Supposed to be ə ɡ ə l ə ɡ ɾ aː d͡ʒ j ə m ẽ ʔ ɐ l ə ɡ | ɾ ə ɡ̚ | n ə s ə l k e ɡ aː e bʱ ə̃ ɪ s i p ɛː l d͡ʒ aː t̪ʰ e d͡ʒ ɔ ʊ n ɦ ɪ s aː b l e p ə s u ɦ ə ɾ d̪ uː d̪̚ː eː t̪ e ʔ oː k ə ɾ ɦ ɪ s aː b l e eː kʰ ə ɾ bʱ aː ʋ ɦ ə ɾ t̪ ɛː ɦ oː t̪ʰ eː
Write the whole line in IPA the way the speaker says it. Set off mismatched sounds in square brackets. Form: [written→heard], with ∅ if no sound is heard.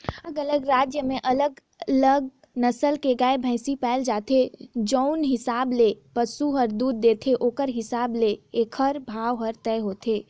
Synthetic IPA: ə ɡ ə l ə ɡ ɾ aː d͡ʒ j ə m ẽ ʔ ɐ l ə ɡ | [ɾ→l] ə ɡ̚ | n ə s ə l k e ɡ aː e bʱ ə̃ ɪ s i p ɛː l d͡ʒ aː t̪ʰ e d͡ʒ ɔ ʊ n ɦ ɪ s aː b l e p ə s u ɦ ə ɾ d̪ uː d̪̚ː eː [t̪→t̪ʰ] e ʔ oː k ə ɾ ɦ ɪ s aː b l e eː kʰ ə ɾ bʱ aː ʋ ɦ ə ɾ t̪ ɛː ɦ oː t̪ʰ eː

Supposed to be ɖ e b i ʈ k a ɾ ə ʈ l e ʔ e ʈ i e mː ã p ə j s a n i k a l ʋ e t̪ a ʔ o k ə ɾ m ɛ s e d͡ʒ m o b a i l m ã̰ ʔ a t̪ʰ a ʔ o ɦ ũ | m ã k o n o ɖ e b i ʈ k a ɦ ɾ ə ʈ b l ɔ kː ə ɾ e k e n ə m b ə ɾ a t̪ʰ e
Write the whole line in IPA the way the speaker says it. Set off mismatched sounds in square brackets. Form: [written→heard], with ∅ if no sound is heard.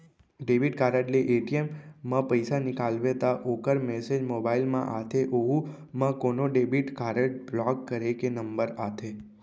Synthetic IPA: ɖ e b i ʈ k a ɾ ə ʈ l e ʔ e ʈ i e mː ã p ə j s a n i k a l ʋ e t̪ a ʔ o k ə ɾ m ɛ s e d͡ʒ m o b a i l m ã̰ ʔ a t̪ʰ [a→e] ʔ o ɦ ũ | m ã k o n o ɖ e b i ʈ k a [ɦ→∅] ɾ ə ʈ b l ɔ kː ə ɾ e k e n ə m b ə ɾ a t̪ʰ e

